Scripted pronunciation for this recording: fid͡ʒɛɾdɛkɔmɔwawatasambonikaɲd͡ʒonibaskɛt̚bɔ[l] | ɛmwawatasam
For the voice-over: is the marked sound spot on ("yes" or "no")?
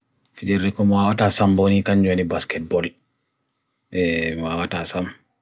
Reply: yes